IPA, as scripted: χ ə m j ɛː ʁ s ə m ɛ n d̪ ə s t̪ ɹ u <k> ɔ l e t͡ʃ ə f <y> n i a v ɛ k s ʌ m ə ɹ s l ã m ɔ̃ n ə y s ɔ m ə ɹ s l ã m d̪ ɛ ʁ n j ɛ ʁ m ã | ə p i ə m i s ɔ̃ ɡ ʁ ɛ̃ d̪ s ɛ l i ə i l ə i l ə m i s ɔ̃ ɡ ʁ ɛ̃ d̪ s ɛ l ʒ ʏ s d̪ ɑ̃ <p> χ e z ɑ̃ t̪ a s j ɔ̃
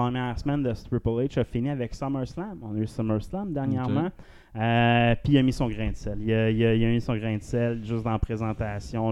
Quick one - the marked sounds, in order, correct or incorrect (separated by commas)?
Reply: incorrect, incorrect, correct